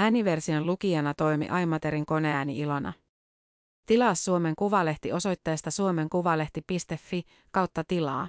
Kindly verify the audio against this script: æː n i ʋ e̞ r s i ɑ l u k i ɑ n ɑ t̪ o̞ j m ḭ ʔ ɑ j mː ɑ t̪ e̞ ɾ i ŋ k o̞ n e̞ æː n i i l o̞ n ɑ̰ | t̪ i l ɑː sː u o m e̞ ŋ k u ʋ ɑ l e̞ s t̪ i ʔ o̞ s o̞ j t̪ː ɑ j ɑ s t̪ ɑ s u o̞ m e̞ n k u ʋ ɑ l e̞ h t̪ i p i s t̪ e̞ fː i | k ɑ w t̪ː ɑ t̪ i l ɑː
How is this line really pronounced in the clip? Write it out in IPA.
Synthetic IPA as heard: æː n i ʋ e̞ r s i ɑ l u k i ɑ n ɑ t̪ o̞ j m ḭ ʔ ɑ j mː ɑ t̪ e̞ ɾ i ŋ k o̞ n e̞ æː n i i l o̞ n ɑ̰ | t̪ i l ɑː sː u o m e̞ ŋ k u ʋ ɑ l e̞ h t̪ i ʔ o̞ s o̞ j t̪ː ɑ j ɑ s t̪ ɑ s u o̞ m e̞ ŋ k u ʋ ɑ l e̞ h t̪ i p i s t̪ e̞ fː i | k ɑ w t̪ː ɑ t̪ i l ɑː